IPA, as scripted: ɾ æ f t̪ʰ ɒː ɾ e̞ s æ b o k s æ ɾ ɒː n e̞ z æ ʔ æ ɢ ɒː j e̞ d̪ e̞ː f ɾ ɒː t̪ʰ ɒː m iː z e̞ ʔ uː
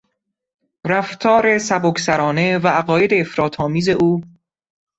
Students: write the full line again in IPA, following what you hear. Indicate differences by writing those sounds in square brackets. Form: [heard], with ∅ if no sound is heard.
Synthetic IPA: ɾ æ f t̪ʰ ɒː ɾ e̞ s æ b o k s æ ɾ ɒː n e̞ [v] æ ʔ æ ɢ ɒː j e̞ d̪ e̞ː f ɾ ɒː t̪ʰ ɒː m iː z e̞ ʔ uː